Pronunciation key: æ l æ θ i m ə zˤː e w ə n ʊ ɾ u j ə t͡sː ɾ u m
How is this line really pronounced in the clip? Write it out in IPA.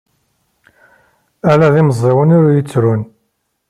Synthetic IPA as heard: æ l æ ð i m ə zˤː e w ə n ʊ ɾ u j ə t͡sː ɾ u n